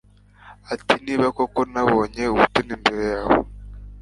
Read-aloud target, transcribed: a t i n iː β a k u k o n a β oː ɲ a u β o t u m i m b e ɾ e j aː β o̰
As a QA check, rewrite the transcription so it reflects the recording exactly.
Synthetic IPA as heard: a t i n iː β a k o k o n a β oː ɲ e u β u t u n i m b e ɾ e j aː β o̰

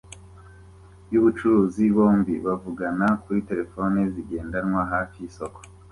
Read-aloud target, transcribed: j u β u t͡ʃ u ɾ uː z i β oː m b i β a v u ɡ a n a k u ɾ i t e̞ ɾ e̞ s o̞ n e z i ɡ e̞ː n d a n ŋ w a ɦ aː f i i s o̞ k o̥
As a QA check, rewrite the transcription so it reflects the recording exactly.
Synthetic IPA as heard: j u β u t͡ʃ u ɾ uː z i β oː m b i β a v u ɡ a n a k u ɾ i t e̞ ɾ e̞ f o̞ n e z i ɡ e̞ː n d a n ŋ w a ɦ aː f i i s o̞ k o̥

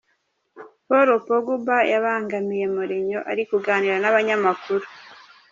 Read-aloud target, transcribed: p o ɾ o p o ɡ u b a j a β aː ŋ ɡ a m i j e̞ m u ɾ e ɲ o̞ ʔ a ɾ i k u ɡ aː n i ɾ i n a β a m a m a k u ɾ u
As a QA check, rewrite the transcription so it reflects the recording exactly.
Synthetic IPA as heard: p o ɾ o p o ɡ u b a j a β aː ŋ ɡ a m i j e̞ m u ɾ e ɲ o̞ ʔ a ɾ i k u ɡ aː n i ɾ a n a β a ɲ a m a k u ɾ u

